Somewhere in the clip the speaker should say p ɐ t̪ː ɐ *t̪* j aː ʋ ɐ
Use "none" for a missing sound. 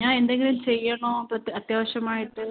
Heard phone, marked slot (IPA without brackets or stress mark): t̪